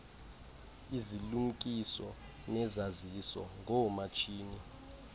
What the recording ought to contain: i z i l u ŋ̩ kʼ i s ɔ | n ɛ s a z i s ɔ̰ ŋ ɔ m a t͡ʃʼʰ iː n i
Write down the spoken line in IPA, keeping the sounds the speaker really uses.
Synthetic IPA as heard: i z i l u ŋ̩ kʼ i s ɔ | n ɛ z a z i s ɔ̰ ŋ ɔ m a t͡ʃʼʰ iː n i